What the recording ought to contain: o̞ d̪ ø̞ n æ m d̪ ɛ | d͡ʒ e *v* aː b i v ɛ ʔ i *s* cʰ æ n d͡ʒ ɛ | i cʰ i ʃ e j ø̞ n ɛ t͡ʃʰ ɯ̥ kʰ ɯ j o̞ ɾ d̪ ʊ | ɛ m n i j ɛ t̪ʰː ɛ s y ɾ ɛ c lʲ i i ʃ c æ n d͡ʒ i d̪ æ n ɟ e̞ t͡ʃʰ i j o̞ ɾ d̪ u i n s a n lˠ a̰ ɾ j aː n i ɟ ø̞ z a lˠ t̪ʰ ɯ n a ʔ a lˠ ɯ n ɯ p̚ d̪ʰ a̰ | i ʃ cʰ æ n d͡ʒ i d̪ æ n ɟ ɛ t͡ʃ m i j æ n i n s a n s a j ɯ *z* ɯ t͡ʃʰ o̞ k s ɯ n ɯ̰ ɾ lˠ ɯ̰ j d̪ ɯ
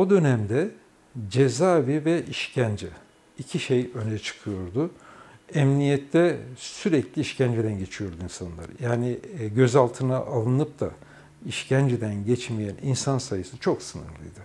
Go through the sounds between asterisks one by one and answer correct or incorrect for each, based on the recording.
incorrect, incorrect, incorrect

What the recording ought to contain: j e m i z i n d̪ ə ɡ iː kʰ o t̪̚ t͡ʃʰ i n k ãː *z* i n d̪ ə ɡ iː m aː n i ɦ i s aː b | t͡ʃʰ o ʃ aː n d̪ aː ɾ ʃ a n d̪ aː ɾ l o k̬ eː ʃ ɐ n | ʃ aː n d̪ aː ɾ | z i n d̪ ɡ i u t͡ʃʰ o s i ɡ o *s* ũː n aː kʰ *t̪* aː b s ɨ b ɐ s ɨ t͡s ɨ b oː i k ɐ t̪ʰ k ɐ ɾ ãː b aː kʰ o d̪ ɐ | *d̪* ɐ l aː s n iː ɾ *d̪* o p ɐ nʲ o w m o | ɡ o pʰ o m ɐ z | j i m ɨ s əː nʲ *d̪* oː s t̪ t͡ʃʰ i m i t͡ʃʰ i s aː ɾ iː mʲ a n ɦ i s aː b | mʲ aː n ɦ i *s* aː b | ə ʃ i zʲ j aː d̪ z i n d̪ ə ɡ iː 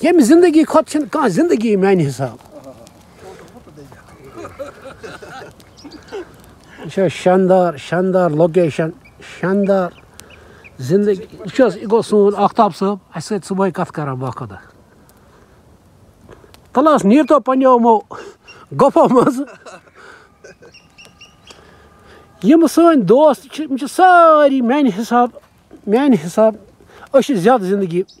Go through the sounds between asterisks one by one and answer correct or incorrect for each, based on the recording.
correct, correct, correct, incorrect, incorrect, correct, correct

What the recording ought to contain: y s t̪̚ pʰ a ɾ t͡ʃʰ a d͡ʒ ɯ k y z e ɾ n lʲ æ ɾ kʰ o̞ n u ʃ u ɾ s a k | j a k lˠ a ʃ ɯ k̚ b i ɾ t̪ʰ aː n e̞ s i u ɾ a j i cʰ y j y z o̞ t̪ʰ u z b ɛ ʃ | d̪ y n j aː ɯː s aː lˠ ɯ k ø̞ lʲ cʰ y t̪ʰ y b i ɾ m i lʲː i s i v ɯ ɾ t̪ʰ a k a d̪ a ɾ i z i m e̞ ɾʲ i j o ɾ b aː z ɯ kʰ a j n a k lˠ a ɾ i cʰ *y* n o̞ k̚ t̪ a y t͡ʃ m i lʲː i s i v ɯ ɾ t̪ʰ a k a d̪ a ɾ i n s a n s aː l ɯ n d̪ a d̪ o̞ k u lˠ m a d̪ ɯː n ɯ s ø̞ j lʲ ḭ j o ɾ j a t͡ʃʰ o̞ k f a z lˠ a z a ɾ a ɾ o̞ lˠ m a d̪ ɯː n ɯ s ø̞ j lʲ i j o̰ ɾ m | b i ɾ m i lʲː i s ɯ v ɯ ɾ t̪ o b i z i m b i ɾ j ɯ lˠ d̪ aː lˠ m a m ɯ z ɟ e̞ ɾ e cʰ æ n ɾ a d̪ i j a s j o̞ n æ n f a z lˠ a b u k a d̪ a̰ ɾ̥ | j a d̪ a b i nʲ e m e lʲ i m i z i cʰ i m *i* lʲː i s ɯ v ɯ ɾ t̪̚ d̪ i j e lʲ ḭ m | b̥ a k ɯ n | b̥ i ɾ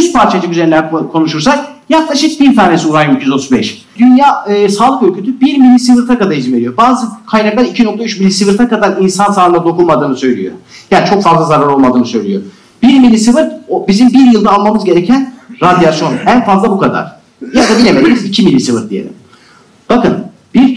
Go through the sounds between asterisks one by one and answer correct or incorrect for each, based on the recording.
incorrect, correct

